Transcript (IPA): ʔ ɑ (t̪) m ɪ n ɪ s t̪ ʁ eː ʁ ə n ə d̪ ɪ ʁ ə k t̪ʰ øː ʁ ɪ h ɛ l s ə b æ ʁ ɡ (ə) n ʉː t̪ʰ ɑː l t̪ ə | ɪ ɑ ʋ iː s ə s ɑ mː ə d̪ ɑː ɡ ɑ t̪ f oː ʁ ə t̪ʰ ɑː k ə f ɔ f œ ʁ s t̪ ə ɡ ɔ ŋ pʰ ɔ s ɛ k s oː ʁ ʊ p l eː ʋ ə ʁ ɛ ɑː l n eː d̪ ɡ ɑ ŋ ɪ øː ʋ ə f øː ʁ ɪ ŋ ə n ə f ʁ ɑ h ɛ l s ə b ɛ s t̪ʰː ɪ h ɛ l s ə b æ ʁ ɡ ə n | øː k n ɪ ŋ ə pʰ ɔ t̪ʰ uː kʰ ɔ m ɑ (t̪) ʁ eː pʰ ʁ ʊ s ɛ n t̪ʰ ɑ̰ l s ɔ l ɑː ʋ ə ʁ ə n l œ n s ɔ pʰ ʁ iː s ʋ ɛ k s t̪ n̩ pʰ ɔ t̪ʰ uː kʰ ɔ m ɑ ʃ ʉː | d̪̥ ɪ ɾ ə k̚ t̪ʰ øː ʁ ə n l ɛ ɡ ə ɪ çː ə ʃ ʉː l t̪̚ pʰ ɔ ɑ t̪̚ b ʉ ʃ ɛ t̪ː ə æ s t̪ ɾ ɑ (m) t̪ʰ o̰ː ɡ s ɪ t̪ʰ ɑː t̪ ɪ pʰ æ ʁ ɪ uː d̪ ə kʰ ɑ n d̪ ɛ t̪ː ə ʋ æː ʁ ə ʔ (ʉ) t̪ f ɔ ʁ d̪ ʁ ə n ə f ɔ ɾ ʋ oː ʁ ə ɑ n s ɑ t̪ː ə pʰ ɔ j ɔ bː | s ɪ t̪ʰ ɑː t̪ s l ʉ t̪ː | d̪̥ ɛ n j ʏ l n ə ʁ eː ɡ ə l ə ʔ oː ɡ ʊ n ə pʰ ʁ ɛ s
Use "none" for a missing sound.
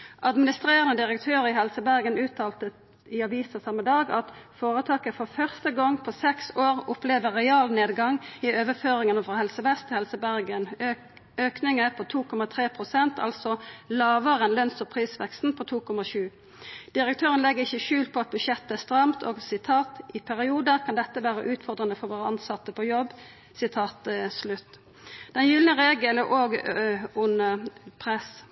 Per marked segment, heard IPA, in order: d̪, ə, t̪ʰ, m, ʉː

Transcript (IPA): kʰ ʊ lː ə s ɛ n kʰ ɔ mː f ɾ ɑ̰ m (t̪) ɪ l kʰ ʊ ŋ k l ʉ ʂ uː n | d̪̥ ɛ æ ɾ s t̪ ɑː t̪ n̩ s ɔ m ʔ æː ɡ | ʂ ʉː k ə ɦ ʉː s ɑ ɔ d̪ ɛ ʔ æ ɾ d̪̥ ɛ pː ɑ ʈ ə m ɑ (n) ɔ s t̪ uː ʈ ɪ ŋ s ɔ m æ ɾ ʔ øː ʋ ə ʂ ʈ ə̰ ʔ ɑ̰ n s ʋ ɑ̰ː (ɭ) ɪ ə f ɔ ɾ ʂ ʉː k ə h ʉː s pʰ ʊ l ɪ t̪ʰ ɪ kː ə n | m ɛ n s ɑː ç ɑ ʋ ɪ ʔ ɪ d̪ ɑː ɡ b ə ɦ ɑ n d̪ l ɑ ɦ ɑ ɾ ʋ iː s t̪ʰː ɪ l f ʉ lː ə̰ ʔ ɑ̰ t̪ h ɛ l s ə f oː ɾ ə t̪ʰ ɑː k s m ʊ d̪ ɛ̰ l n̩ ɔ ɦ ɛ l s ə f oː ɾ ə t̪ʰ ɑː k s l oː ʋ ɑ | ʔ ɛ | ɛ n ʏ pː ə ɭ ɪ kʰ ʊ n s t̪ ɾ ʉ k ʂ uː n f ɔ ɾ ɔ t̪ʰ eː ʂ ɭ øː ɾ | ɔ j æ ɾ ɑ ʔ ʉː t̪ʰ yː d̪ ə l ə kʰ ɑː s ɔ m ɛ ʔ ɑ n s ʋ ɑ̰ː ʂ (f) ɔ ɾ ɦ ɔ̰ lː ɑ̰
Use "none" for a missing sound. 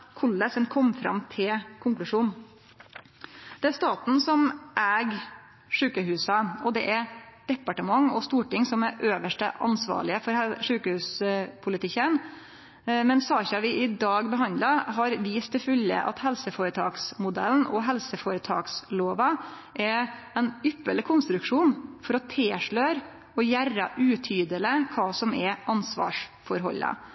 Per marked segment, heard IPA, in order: t̪ʰ, ŋ, ɭ, f

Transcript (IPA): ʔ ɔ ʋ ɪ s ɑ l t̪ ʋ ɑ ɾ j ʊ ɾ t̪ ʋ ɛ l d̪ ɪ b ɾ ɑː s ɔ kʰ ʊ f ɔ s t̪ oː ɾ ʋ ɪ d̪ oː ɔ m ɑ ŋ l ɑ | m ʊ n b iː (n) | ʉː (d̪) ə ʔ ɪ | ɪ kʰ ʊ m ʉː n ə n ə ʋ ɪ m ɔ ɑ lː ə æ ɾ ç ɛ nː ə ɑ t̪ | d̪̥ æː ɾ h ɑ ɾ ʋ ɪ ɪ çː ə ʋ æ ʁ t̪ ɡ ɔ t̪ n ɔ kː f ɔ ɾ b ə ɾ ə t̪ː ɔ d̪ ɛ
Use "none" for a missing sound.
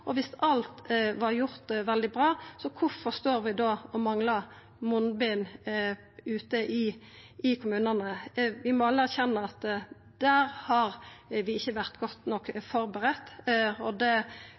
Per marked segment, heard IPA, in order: n, t̪

